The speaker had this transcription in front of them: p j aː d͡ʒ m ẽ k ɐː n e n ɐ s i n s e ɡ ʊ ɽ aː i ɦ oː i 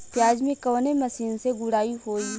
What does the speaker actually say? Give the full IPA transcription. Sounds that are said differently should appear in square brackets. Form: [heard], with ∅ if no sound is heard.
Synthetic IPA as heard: p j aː d͡ʒ m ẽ k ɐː n e [m] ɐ s [iː] n s e ɡ ʊ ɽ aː i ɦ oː i